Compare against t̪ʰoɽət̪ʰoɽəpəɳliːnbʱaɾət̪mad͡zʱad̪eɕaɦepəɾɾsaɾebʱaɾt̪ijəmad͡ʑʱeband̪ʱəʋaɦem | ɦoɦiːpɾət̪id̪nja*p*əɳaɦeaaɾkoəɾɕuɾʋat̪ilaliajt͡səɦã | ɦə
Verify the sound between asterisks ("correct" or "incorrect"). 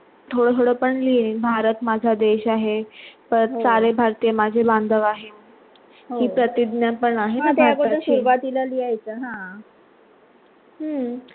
correct